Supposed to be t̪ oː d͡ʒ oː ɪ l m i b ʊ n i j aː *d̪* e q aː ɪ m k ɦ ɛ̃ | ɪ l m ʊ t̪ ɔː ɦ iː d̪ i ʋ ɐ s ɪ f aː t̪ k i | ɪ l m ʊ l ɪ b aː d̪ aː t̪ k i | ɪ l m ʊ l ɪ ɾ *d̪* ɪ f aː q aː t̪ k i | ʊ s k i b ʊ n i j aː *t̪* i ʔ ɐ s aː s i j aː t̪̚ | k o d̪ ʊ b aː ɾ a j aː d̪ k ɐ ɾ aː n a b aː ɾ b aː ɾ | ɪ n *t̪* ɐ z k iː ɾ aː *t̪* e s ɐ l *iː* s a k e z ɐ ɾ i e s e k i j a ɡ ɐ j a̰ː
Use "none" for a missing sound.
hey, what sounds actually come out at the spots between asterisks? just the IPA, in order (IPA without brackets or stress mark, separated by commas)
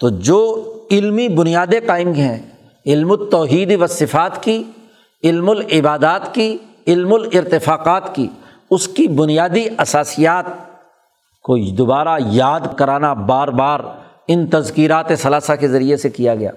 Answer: d̪, t̪, d̪, t̪, t̪, aː